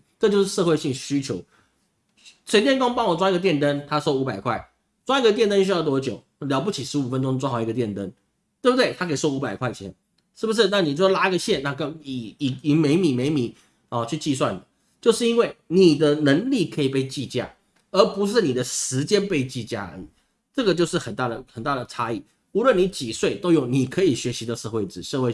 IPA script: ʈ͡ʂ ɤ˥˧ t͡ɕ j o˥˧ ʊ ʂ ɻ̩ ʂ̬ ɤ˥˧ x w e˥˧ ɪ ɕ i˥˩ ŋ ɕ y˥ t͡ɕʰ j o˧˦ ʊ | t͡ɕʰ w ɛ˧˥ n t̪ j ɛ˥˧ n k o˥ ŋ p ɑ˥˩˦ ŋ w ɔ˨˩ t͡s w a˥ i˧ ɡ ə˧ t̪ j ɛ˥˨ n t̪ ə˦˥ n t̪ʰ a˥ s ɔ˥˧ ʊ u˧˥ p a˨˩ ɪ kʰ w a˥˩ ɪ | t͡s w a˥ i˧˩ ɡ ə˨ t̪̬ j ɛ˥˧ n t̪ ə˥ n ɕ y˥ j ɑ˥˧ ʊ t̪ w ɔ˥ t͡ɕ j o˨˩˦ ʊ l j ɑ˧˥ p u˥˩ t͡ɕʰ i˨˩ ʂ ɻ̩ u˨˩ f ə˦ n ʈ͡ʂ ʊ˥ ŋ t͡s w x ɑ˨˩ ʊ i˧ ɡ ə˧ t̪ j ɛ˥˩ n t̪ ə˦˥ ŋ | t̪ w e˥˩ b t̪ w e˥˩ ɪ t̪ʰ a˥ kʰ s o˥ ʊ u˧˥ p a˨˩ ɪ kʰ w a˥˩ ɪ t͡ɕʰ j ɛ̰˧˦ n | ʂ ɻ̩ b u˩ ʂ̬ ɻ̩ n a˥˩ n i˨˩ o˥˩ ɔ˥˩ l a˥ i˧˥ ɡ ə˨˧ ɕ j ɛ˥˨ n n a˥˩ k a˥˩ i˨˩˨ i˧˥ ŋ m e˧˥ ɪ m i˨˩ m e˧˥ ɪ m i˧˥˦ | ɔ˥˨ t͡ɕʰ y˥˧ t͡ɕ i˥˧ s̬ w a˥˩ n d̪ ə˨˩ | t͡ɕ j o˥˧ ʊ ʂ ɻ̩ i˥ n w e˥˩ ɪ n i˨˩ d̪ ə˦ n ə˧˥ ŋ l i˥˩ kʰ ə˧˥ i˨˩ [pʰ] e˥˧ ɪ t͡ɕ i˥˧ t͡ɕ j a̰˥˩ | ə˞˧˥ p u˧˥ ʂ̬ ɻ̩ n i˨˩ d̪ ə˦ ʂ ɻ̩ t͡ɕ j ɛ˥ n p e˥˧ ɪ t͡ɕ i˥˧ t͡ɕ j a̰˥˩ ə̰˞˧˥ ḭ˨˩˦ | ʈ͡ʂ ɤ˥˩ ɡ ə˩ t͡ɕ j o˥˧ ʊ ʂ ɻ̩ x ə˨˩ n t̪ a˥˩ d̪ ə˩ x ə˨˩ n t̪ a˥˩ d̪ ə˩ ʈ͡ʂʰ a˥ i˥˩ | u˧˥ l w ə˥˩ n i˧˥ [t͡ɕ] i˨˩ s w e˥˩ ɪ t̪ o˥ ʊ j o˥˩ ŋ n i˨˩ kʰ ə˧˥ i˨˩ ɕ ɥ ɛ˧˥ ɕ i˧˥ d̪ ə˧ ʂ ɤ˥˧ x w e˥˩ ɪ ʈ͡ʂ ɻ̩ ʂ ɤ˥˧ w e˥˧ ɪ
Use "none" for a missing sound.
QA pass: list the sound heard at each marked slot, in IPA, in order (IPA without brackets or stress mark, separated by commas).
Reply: p, t͡ɕ